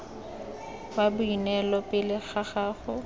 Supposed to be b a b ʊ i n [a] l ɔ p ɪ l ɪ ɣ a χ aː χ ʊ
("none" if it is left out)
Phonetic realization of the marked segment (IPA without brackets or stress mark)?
ɛ